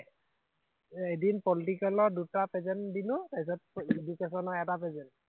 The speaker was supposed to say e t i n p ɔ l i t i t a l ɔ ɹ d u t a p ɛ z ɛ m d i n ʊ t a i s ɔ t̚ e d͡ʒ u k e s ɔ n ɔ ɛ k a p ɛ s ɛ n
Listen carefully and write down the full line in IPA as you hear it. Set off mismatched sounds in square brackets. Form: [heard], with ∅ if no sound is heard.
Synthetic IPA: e [d] i n p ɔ l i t i [k] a l ɔ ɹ d u t a p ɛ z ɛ [n] d i n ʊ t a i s ɔ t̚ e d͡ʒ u k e s ɔ n ɔ ɛ [t] a p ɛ [z] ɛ n